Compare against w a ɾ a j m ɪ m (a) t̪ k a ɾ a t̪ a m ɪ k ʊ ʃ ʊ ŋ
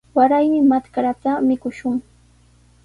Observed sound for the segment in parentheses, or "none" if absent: a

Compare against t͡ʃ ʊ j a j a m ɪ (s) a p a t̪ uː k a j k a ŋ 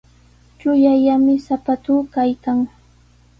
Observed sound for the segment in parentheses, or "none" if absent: s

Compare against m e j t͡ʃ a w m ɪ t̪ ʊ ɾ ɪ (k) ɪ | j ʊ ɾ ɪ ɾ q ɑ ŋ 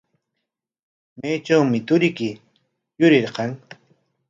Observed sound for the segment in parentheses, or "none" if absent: k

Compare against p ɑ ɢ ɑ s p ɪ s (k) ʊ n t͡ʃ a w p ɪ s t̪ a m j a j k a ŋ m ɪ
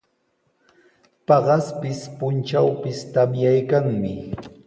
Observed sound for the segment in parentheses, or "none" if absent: p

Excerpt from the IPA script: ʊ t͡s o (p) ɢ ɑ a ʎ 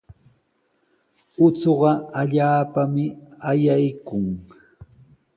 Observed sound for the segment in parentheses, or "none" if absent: none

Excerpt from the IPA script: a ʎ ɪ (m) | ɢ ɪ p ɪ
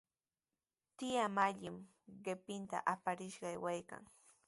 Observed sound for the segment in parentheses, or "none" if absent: m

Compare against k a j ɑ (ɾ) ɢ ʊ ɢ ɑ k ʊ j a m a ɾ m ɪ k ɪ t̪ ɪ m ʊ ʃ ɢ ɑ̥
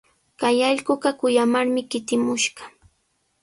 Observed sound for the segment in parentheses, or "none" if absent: ʎ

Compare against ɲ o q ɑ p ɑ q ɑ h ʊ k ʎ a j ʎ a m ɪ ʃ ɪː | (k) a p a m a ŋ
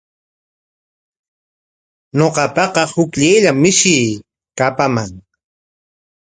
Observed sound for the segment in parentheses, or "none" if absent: k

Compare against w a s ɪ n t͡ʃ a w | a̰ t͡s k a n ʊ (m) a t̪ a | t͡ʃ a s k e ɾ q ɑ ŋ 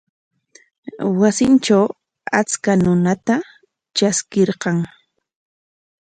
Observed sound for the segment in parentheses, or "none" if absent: n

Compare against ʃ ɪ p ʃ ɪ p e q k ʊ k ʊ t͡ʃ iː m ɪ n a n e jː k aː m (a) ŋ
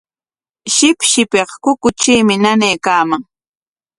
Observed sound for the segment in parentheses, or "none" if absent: a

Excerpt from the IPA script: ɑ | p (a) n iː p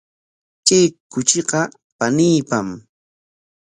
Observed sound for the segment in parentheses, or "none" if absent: a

